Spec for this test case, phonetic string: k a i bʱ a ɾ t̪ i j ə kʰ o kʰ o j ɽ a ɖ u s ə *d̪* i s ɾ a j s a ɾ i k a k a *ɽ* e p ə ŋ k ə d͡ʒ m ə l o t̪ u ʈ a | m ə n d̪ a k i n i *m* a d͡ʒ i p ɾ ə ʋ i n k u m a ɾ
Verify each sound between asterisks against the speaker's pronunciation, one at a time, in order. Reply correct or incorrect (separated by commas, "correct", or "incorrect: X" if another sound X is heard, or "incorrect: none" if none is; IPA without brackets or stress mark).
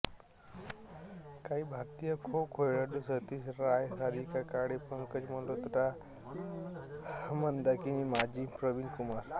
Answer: incorrect: t̪, correct, correct